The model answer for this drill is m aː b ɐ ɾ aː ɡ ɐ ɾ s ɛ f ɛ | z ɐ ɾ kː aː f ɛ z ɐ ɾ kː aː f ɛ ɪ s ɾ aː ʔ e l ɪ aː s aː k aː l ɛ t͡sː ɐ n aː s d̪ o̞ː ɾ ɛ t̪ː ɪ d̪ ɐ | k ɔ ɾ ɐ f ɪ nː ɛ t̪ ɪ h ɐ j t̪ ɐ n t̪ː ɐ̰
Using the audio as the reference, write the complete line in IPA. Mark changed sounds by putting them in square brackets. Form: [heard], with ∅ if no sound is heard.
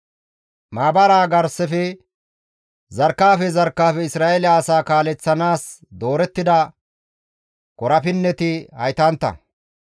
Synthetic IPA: m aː b ɐ ɾ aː ɡ ɐ ɾ s ɛ f ɛ | z ɐ ɾ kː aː f ɛ z ɐ ɾ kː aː f ɛ ɪ s ɾ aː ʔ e l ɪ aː s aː k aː l ɛ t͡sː ɐ n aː s d̪ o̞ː ɾ ɛ t̪ː ɪ d̪ ɐ | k ɔ ɾ ɐ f ɪ nː ɛ t̪ ɪ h ɐ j t̪ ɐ n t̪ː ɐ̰